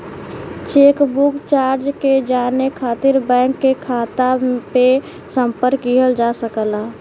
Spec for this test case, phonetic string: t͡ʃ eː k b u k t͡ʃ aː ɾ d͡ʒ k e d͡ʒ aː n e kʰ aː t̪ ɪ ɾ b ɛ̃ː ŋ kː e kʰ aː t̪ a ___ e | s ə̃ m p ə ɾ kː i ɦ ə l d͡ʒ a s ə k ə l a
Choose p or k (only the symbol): p